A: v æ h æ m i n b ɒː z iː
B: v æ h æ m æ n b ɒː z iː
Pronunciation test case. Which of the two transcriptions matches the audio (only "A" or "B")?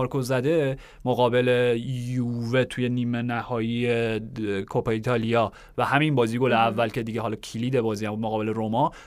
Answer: A